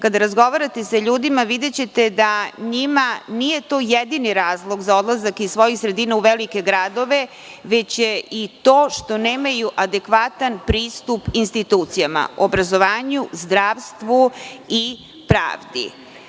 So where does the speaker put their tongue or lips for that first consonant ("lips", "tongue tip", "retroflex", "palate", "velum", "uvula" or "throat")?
velum